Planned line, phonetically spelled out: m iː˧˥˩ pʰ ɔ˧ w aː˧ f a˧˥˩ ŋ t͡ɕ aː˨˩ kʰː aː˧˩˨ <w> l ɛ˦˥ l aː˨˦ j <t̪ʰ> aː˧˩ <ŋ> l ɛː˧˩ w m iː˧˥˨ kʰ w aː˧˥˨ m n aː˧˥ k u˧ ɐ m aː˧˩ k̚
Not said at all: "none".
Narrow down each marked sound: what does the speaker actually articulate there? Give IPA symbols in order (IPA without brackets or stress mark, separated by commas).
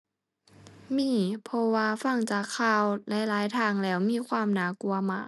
w, t̪ʰ, ŋ